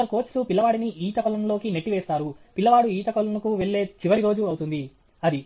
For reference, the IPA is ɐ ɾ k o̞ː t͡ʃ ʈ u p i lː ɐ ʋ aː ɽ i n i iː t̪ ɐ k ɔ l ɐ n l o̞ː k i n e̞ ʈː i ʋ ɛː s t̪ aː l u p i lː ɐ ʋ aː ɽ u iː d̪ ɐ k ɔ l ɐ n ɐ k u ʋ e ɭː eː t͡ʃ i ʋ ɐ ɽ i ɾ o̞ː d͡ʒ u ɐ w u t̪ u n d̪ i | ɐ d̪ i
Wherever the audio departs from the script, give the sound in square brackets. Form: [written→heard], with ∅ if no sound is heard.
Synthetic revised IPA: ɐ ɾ k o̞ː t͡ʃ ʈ u p i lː ɐ ʋ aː ɽ i n i iː t̪ ɐ k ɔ l ɐ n l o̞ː k i n e̞ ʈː i ʋ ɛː s t̪ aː [l→ɾ] u p i lː ɐ ʋ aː ɽ u iː [d̪→t̪] ɐ k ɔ l ɐ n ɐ k u ʋ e ɭː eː t͡ʃ i ʋ ɐ ɽ i ɾ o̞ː d͡ʒ u ɐ w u t̪ u n d̪ i | ɐ d̪ i